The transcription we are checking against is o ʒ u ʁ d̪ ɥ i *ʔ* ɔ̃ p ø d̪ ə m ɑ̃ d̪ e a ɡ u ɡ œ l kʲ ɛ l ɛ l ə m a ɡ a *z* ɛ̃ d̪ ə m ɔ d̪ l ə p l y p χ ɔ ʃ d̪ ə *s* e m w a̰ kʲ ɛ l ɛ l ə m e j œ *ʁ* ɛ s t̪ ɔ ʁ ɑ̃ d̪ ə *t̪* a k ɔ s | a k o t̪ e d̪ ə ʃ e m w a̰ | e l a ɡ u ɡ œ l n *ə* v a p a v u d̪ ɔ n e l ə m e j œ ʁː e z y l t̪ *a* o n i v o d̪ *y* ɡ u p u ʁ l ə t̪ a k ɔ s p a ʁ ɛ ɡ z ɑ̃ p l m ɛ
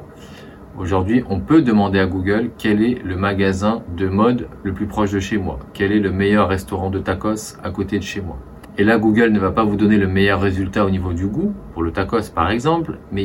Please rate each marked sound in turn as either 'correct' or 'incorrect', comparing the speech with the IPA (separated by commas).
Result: correct, correct, incorrect, incorrect, correct, correct, correct, correct